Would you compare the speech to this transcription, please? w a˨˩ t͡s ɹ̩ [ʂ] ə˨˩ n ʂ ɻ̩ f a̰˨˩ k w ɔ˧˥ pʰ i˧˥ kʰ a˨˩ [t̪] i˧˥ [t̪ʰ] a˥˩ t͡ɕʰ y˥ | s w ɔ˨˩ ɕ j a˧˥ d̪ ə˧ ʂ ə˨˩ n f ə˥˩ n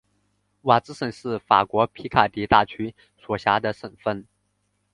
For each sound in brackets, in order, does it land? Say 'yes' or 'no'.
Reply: yes, yes, no

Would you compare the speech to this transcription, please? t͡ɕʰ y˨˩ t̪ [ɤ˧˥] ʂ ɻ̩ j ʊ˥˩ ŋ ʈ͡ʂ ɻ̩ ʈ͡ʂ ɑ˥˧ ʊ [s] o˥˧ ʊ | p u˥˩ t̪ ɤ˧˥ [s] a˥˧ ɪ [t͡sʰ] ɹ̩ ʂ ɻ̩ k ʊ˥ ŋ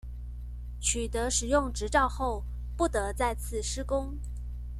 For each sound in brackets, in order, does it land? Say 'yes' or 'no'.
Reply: yes, no, no, yes

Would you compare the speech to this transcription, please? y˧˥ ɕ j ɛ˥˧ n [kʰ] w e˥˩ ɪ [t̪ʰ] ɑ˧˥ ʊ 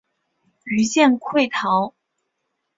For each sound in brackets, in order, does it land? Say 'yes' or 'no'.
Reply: yes, yes

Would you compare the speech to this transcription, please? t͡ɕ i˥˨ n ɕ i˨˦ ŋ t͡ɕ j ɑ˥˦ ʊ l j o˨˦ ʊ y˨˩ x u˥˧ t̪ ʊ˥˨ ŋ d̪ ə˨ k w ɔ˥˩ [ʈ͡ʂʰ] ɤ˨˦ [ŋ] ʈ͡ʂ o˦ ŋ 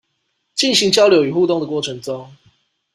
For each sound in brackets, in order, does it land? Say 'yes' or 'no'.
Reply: yes, yes

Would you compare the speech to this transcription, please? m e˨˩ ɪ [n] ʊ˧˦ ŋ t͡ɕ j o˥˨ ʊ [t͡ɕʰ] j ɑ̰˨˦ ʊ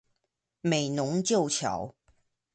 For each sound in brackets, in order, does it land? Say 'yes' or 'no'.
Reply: yes, yes

